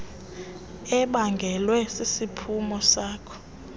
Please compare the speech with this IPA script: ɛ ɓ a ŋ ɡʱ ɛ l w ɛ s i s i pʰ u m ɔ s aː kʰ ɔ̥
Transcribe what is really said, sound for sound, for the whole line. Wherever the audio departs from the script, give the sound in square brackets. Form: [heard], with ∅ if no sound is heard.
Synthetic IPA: ɛ ɓ a ŋ ɡʱ ɛ l w ɛ s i s i pʰ u m ɔ s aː kʰ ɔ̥